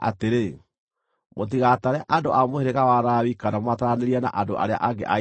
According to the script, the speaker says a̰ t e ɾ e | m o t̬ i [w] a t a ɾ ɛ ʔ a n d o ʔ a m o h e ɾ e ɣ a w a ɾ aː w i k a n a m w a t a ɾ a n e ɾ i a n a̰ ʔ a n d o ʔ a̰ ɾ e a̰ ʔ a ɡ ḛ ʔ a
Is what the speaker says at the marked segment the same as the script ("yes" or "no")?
no